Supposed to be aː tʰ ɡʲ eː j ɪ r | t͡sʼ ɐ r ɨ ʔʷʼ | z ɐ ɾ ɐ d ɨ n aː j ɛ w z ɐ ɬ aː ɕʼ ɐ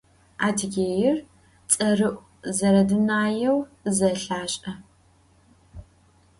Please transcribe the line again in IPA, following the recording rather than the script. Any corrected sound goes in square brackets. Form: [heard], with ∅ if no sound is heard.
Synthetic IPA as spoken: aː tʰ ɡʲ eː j ɪ r | t͡sʼ ɐ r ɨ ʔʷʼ | z ɐ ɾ ɐ d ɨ n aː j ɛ w z ɐ ɬ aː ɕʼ ɐ